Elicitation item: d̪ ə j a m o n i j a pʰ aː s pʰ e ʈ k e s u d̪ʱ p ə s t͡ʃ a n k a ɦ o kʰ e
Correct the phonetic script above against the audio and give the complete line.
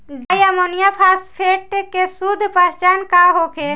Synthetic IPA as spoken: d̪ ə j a m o n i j a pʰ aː s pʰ e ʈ k e s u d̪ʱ p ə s t͡ʃ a n k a ɦ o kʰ e